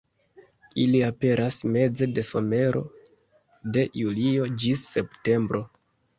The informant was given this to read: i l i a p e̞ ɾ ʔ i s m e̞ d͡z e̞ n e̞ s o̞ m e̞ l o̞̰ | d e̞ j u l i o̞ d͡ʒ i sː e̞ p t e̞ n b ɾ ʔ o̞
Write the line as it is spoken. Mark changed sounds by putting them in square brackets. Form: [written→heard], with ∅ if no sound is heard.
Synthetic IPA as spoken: i l i a p e̞ ɾ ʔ [i→a] s m e̞ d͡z e̞ [n→d] e̞ s o̞ m e̞ [l→ɾ] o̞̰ | d e̞ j u l i o̞ d͡ʒ i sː e̞ p t e̞ [n→m] b ɾ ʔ o̞